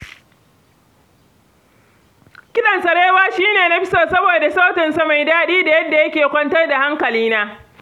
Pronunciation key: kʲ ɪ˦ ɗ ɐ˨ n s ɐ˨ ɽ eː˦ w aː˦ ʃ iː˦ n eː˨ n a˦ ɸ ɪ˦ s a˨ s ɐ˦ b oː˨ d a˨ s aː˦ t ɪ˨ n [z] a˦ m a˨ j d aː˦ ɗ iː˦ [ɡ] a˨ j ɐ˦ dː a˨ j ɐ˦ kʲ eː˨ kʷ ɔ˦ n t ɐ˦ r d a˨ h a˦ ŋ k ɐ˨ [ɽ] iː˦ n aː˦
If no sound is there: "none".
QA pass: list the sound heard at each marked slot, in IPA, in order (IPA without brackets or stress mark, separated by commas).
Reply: s, d, l